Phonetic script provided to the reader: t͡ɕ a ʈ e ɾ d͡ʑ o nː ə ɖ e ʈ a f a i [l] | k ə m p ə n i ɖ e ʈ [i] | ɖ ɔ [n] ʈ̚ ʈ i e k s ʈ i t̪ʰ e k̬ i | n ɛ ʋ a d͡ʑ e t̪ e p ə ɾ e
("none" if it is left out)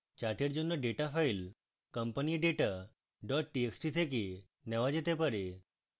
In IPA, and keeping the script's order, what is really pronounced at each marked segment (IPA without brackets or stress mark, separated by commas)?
l, a, none